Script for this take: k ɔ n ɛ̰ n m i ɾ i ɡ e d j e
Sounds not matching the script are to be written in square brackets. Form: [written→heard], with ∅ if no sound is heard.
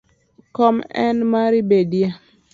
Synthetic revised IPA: k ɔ [n→m] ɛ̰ n m [i→a] ɾ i [ɡ→b] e d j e